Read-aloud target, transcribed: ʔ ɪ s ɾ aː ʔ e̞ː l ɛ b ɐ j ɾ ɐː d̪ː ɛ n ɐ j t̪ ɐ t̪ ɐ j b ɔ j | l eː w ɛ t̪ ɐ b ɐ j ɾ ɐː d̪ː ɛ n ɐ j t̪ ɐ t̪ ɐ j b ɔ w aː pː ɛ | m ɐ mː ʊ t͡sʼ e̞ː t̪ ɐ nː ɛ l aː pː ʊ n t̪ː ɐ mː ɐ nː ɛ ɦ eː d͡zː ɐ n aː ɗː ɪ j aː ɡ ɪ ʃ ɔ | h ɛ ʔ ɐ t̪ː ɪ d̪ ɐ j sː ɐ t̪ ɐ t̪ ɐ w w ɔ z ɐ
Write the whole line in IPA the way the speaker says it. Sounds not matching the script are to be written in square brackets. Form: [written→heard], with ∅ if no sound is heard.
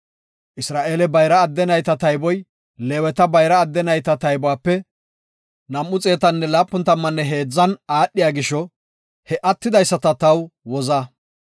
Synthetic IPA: ʔ ɪ s ɾ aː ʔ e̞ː l ɛ b ɐ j ɾ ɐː d̪ː ɛ n ɐ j t̪ ɐ t̪ ɐ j b ɔ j | l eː w ɛ t̪ ɐ b ɐ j ɾ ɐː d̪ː ɛ n ɐ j t̪ ɐ t̪ ɐ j b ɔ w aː pː ɛ | [m→n] ɐ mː ʊ t͡sʼ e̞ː t̪ ɐ nː ɛ l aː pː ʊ n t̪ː ɐ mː ɐ nː ɛ ɦ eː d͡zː ɐ n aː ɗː ɪ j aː ɡ ɪ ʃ ɔ | h ɛ ʔ ɐ t̪ː ɪ d̪ ɐ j sː ɐ t̪ ɐ t̪ ɐ w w ɔ z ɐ